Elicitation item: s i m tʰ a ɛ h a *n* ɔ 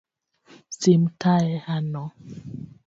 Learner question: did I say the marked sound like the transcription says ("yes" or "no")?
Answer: yes